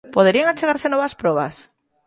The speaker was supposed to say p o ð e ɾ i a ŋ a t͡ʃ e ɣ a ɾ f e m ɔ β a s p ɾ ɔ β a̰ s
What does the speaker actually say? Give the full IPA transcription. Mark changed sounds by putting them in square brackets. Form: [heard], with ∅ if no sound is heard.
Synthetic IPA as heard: p o ð e ɾ i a ŋ a t͡ʃ e ɣ a ɾ [s] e [n] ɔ β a s p ɾ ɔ β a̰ s